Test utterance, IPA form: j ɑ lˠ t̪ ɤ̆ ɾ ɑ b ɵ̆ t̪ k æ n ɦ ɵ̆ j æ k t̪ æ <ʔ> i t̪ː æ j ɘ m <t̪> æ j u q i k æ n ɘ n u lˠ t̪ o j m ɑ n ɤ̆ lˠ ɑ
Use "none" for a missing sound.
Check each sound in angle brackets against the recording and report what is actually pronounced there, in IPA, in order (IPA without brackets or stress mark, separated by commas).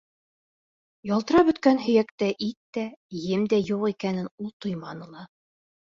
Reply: ʔ, d̪